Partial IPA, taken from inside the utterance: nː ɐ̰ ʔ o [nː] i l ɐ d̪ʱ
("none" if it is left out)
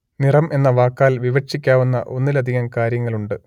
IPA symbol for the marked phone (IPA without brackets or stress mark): nː